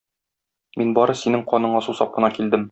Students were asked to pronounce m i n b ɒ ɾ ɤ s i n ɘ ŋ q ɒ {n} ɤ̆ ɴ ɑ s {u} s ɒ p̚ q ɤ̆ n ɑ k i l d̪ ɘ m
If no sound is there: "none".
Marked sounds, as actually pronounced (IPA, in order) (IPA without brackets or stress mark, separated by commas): n, u